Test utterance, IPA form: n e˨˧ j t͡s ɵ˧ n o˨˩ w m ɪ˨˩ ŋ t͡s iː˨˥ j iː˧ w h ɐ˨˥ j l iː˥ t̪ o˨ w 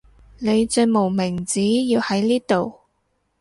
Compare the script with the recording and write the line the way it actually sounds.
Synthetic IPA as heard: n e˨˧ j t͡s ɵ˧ m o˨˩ w m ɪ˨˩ ŋ t͡s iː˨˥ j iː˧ w h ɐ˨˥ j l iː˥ t̪ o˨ w